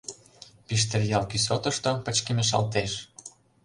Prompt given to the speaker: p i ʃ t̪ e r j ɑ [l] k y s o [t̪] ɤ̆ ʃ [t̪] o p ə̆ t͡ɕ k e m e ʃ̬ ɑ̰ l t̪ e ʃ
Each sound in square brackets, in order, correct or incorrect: correct, correct, correct

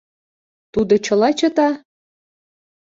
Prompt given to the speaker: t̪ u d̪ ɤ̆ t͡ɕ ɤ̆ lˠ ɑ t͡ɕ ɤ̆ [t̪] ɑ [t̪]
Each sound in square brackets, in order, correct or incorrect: correct, incorrect: none

